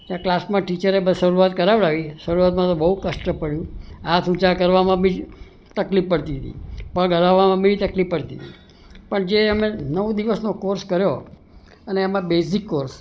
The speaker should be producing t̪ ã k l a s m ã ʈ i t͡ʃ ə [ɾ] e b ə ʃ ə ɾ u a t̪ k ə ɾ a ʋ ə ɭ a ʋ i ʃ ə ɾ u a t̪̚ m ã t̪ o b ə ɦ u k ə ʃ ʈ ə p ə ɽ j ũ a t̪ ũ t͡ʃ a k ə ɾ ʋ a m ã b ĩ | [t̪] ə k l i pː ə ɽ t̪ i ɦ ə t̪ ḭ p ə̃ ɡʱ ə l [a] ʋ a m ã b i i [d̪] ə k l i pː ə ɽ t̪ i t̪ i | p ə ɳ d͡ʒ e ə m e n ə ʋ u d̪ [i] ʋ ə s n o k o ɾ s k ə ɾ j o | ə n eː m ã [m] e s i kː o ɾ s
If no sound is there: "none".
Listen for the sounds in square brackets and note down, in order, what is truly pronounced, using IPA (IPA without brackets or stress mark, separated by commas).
ɾ, t̪, a, t̪, i, b